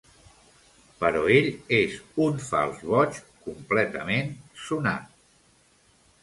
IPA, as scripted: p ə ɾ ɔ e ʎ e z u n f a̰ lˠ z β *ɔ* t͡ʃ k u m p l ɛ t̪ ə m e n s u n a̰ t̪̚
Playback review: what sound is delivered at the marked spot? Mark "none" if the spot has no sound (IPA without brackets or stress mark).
ɔ